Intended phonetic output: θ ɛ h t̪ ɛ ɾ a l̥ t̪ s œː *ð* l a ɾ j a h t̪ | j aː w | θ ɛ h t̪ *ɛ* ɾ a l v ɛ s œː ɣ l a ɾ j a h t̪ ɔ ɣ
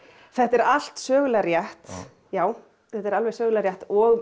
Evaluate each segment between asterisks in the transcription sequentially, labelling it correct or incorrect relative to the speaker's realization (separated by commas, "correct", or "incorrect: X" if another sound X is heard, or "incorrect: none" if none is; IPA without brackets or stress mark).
incorrect: ɣ, correct